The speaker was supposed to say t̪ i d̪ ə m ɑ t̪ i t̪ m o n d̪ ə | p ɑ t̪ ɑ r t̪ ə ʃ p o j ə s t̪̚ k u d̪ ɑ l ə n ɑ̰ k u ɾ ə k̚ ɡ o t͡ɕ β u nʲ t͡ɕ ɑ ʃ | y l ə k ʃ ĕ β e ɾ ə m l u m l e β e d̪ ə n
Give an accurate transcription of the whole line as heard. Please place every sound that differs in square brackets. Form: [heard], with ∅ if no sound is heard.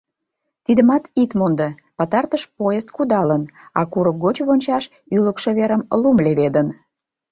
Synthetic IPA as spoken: t̪ i d̪ ə m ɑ t̪ i t̪ m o n d̪ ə | p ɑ t̪ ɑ r t̪ ə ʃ p o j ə s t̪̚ k u d̪ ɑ l ə n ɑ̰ k u ɾ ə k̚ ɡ o t͡ɕ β [o] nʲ t͡ɕ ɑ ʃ | y l ə k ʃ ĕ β e ɾ ə m l u m l e β e d̪ ə n